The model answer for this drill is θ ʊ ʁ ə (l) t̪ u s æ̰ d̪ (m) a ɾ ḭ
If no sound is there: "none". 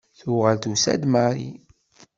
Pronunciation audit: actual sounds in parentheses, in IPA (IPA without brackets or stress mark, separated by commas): l, m